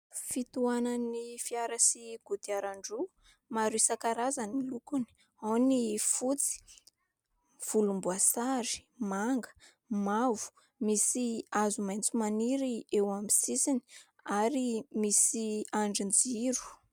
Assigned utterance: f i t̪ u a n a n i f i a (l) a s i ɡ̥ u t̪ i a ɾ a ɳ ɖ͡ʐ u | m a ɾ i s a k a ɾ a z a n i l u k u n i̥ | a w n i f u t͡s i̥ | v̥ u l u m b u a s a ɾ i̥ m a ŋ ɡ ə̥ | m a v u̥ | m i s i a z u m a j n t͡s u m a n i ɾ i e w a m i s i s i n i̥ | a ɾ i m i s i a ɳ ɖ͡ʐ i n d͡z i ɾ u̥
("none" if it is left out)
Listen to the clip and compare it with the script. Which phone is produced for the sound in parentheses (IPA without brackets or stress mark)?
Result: ɾ